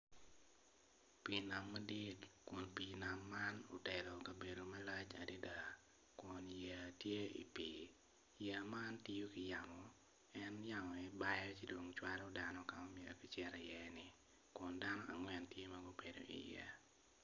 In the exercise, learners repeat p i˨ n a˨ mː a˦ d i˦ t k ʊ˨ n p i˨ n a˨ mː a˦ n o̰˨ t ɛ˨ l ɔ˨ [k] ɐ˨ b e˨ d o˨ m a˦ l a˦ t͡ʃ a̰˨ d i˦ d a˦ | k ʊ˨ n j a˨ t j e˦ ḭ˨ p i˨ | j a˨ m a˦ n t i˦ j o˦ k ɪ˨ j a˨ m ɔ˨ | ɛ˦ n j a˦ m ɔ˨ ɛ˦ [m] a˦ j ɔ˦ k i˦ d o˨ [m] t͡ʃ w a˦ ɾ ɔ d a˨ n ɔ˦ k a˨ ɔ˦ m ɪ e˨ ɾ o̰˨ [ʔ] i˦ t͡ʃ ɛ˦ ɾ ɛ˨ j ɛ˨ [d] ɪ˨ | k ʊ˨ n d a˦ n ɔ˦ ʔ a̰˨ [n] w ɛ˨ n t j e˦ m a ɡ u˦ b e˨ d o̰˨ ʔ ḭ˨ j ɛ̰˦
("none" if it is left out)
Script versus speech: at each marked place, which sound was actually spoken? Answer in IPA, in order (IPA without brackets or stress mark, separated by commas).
k, b, ŋ, k, n, ŋ